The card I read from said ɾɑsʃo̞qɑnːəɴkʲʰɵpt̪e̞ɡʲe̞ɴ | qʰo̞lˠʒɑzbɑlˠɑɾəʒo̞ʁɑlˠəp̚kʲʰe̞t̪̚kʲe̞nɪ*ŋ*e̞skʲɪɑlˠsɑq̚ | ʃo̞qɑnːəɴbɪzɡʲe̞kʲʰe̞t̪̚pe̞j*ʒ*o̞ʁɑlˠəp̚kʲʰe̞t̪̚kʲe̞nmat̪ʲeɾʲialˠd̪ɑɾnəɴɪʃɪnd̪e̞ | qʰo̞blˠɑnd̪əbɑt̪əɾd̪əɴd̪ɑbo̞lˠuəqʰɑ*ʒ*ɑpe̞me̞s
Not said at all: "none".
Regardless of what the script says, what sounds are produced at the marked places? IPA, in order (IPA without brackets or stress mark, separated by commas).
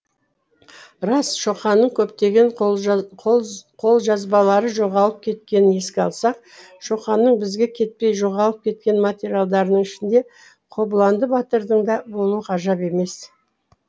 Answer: n, ʒ, ʒ